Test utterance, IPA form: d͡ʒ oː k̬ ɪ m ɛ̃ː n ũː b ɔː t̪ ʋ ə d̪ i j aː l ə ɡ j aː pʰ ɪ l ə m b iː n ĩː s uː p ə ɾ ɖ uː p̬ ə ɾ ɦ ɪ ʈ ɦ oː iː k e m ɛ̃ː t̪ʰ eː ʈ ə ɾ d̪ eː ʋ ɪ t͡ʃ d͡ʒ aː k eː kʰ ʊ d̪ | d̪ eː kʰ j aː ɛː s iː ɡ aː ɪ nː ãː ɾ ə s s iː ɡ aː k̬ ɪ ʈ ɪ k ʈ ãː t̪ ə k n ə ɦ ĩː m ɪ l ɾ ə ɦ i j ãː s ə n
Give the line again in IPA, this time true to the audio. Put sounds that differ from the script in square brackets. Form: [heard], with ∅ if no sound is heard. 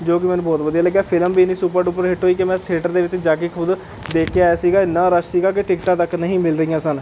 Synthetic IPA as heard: d͡ʒ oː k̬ ɪ m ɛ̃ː n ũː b ɔː t̪ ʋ ə d̪ i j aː l ə ɡ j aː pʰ ɪ l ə m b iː n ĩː s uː p ə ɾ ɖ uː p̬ ə ɾ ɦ ɪ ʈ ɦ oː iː k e m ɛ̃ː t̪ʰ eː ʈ ə ɾ d̪ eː ʋ ɪ t͡ʃ d͡ʒ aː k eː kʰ ʊ d̪ | d̪ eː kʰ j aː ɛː s iː ɡ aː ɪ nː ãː ɾ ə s s iː ɡ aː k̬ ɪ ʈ ɪ k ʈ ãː t̪ ə k n ə ɦ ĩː m ɪ l ɾ ə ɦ i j ãː s ə n